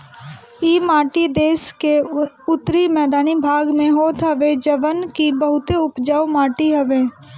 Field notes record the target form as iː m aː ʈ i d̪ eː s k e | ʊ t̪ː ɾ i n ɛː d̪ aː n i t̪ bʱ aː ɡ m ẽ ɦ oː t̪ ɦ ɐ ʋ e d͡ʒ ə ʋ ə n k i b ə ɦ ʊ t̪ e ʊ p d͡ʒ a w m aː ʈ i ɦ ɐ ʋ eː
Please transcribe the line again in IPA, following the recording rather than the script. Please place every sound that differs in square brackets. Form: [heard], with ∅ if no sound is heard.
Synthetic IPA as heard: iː m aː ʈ i d̪ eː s k e | ʊ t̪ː ɾ i [m] ɛː d̪ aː n i [∅] bʱ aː ɡ m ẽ ɦ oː t̪ ɦ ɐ ʋ e d͡ʒ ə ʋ ə n k i b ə ɦ ʊ t̪ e ʊ p d͡ʒ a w m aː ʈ i ɦ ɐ ʋ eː

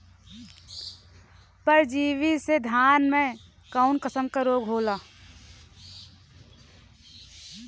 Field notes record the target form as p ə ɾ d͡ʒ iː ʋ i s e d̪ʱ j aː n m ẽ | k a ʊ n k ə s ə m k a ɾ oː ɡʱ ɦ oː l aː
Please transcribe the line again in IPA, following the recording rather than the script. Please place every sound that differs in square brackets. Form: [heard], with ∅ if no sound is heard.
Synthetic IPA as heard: p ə ɾ d͡ʒ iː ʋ i s e d̪ʱ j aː n m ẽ | k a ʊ n k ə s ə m k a ɾ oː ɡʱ ɦ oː l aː

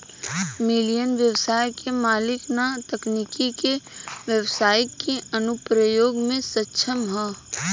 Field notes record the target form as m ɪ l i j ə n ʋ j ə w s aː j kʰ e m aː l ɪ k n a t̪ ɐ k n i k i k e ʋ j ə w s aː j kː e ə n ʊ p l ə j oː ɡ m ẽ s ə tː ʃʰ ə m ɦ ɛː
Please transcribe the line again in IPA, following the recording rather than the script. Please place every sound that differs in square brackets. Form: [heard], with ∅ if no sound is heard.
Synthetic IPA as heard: m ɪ l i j ə n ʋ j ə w s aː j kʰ e m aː l ɪ k n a t̪ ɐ k n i k i k e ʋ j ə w s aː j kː e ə n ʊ p [ɾ] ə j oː ɡ m ẽ s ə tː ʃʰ ə m ɦ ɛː

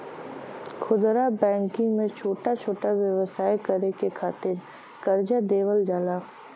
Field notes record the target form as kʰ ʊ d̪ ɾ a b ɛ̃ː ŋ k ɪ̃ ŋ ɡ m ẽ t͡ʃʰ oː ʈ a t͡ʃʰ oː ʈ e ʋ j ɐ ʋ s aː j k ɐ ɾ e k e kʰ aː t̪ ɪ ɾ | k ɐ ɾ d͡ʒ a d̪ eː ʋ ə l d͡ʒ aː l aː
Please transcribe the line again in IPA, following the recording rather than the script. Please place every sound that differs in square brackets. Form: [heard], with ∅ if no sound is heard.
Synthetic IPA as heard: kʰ ʊ d̪ ɾ a b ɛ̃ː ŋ k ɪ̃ ŋ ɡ m ẽ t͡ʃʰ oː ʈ a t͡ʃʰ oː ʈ [a] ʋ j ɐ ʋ s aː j k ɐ ɾ e k e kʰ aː t̪ ɪ ɾ | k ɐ ɾ d͡ʒ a d̪ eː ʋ ə l d͡ʒ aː l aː

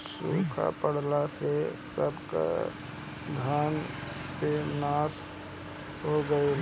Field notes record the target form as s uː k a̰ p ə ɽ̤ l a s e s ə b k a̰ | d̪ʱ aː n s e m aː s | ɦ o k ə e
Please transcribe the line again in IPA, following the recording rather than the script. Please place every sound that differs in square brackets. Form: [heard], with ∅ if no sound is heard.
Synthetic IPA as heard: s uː [kʰ] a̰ p ə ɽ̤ l a s e s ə b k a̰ | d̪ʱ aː n s e [n] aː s | ɦ o [ɡ] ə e

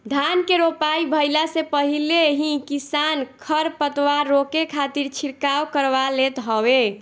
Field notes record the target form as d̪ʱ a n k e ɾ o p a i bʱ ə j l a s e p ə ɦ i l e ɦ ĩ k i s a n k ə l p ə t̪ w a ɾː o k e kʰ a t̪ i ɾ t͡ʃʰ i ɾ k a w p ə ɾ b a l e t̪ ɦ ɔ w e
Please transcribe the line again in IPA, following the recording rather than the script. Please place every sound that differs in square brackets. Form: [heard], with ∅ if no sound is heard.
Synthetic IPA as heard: d̪ʱ a n k e ɾ o p a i bʱ ə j l a s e p ə ɦ i l e ɦ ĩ k i s a n [kʰ] ə [ɾ] p ə t̪ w a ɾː o k e kʰ a t̪ i ɾ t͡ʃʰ i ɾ k a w [k] ə ɾ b a l e t̪ ɦ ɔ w e

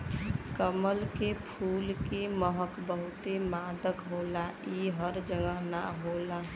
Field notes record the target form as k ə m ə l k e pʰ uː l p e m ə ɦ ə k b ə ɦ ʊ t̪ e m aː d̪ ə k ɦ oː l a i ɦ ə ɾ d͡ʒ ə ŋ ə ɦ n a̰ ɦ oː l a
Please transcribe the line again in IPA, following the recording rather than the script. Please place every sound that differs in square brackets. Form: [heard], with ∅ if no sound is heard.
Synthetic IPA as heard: k ə m ə l k e pʰ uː l [k] e m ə ɦ ə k b ə ɦ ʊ t̪ e m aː d̪ ə k ɦ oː l a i ɦ ə ɾ d͡ʒ ə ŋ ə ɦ n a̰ ɦ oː l a

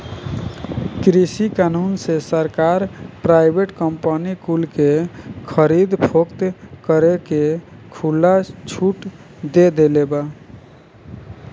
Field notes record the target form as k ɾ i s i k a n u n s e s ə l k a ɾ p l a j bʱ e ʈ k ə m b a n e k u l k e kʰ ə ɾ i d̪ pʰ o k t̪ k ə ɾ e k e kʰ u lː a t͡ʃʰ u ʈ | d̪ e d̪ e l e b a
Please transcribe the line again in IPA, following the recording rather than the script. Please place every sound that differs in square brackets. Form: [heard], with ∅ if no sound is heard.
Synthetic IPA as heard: k ɾ i s i k a n u n s e s ə [ɾ] k a ɾ p [ɾ] a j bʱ e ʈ k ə m [p] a n [i] k u l k e kʰ ə ɾ i d̪ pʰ o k t̪ k ə ɾ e k e kʰ u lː a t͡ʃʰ u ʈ | d̪ e d̪ e l e b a

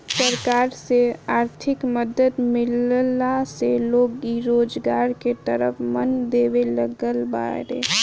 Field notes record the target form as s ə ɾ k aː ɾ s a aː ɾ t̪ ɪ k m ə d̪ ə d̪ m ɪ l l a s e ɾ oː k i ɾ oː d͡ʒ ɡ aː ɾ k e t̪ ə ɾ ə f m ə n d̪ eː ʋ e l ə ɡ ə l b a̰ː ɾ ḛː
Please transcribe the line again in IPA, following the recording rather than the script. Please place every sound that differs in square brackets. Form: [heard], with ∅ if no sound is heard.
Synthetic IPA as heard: s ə ɾ k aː ɾ s [e] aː ɾ [t̪ʰ] ɪ k m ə d̪ ə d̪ m ɪ l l a s e [l] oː [ɡ] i ɾ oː d͡ʒ ɡ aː ɾ k e t̪ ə ɾ ə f m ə n d̪ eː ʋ e l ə ɡ ə l b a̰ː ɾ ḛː

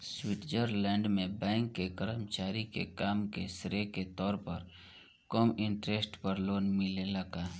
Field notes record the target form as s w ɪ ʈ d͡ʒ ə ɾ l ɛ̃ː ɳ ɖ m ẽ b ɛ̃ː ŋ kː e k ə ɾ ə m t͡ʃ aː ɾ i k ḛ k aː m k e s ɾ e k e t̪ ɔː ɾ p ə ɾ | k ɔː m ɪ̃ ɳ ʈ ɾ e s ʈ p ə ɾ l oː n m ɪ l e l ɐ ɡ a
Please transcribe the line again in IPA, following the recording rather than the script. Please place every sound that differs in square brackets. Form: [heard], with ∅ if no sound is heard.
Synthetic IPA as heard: s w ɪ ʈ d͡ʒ ə ɾ l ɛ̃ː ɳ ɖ m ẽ b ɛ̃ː ŋ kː e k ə ɾ ə m t͡ʃ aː ɾ i k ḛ k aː m k e s ɾ e k e t̪ ɔː ɾ p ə ɾ | k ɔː m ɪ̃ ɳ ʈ ɾ e s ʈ p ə ɾ l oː n m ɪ l e l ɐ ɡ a

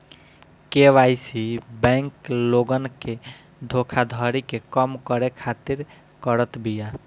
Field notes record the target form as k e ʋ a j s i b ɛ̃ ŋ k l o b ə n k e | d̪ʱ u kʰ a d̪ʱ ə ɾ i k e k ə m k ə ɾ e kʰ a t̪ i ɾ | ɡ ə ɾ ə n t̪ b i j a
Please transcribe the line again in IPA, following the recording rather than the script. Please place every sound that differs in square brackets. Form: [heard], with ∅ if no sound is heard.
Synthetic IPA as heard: k e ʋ a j s i b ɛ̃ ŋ k l o [ɡ] ə n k e | d̪ʱ [o] kʰ a d̪ʱ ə ɾ i k e k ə m k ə ɾ e kʰ a t̪ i ɾ | [k] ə ɾ ə [∅] t̪ b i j a

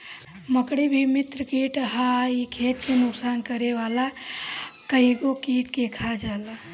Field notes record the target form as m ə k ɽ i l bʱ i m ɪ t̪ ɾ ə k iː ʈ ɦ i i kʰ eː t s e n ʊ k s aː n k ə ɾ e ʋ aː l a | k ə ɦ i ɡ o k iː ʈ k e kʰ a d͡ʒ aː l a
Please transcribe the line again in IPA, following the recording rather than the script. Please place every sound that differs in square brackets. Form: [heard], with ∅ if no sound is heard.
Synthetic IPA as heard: m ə k ɽ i [∅] bʱ i m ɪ t̪ ɾ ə k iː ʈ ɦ [a] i kʰ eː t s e n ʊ k s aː n k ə ɾ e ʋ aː l a | k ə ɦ i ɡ o k iː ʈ k e kʰ a d͡ʒ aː l a

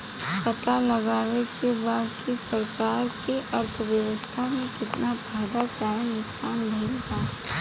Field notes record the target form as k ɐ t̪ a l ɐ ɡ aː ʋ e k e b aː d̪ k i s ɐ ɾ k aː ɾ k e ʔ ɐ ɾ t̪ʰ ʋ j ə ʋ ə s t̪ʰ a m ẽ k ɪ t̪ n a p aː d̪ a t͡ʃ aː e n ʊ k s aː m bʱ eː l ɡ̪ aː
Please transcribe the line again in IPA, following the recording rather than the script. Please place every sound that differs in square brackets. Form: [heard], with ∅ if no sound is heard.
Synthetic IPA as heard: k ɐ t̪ a l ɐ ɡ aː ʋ e k e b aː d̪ k i s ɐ ɾ k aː ɾ k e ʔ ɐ ɾ t̪ʰ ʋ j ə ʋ ə s t̪ʰ a m ẽ k ɪ t̪ n a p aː d̪ a t͡ʃ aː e n ʊ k s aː [n] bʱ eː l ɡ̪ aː

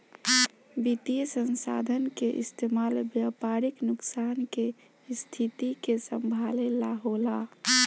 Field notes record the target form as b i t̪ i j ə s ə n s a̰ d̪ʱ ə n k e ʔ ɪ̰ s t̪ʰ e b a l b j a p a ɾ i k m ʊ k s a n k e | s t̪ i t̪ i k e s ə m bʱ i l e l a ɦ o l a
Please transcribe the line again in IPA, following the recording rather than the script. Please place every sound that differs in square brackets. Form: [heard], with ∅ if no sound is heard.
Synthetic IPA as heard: b i t̪ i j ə s ə n s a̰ d̪ʱ ə n k e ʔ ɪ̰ s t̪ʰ e [m] a l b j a p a ɾ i k [n] ʊ k s a n k e | s [t̪ʰ] i t̪ i k e s ə m bʱ [a] l e l a ɦ o l a

